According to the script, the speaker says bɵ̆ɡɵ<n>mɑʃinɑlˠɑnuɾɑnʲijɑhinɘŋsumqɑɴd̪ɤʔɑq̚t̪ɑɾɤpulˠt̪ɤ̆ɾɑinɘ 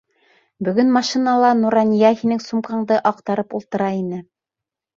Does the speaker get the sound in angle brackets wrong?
no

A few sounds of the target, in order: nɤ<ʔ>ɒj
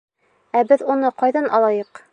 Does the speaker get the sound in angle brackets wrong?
yes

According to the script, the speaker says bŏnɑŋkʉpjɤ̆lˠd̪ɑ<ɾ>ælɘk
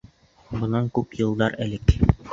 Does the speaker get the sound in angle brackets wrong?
no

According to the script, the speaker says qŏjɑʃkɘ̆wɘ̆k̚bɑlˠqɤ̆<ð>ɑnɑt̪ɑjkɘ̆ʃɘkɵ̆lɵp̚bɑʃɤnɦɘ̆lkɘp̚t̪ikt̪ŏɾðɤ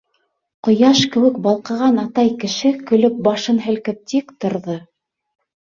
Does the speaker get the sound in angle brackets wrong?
yes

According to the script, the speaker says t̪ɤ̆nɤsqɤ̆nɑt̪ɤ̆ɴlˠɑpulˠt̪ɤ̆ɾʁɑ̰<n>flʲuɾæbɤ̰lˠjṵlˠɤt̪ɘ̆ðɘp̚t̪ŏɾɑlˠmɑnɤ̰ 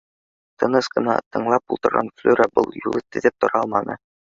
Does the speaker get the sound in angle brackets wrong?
no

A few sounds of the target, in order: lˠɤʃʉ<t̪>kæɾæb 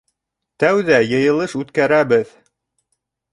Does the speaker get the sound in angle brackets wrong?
no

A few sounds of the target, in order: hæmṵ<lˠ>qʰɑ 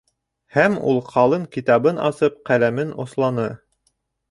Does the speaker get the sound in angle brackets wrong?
no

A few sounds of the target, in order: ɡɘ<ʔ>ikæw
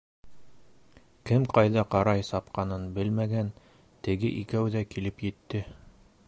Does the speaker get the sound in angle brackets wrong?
no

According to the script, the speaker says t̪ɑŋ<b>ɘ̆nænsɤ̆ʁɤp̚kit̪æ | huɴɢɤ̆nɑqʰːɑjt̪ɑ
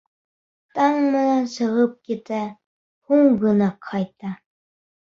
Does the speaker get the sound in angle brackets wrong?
yes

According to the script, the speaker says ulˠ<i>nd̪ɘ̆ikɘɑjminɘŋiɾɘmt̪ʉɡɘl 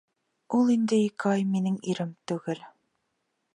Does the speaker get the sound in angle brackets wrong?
no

